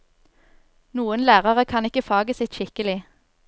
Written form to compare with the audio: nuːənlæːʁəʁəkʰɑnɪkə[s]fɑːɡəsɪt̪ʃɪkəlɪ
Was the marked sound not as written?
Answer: yes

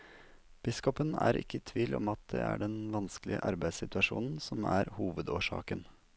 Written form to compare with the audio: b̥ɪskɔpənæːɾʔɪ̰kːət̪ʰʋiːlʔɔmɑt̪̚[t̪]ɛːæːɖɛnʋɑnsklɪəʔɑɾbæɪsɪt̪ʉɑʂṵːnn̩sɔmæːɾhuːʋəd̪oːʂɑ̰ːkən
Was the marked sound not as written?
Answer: yes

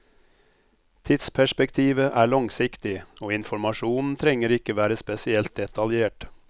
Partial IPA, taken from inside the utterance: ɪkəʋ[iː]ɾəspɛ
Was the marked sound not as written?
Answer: yes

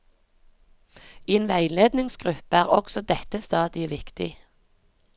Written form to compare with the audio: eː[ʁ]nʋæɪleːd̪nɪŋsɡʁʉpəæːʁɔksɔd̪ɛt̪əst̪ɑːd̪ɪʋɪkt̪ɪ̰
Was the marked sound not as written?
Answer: yes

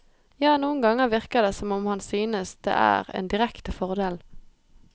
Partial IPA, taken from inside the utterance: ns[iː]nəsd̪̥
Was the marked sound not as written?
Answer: yes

